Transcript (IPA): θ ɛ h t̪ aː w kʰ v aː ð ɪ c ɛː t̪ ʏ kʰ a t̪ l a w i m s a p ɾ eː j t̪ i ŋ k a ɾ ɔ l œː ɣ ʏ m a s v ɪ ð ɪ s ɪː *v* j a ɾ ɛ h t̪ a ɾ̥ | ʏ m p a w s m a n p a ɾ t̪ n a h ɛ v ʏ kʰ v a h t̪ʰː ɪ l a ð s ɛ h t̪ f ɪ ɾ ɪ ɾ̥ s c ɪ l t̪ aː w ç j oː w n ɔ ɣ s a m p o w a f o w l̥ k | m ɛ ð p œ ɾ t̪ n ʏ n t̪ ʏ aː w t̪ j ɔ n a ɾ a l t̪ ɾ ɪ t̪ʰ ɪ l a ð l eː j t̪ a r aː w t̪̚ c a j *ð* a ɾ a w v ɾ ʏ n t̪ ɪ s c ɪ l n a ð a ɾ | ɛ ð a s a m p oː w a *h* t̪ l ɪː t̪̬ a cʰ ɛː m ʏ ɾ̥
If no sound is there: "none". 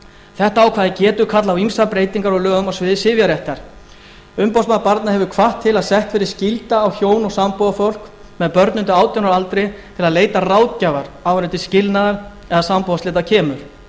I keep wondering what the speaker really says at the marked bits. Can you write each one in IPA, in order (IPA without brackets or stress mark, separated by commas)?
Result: v, v, s